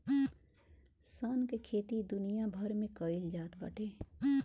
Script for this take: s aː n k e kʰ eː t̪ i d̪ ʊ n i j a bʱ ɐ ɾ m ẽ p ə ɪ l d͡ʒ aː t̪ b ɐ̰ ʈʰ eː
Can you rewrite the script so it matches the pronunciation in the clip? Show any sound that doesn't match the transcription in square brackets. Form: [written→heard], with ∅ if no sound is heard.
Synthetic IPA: s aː n k e kʰ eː t̪ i d̪ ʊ n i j a bʱ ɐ ɾ m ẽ [p→k] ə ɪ l d͡ʒ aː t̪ b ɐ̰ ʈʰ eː